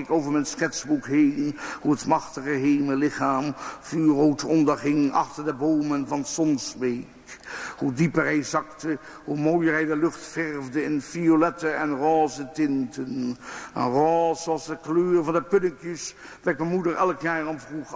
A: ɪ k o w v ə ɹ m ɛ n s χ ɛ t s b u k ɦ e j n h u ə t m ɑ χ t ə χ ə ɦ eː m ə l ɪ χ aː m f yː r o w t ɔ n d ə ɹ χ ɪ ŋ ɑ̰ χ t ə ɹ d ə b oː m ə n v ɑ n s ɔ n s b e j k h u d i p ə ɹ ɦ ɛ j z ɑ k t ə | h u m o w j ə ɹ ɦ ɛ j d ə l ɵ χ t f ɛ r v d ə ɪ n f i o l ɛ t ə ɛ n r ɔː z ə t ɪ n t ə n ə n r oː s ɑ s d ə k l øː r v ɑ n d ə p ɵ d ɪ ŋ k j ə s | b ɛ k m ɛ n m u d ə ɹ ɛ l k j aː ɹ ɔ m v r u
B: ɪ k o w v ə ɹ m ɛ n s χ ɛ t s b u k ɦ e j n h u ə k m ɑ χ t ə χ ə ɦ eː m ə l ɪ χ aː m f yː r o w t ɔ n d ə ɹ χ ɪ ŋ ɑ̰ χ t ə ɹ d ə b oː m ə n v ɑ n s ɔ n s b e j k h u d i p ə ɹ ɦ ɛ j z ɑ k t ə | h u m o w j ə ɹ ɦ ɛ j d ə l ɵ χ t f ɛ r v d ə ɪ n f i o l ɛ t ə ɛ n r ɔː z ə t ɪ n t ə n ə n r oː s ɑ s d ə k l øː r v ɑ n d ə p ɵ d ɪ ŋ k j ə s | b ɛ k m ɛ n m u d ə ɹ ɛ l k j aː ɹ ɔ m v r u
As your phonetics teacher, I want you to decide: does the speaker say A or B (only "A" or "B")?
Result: A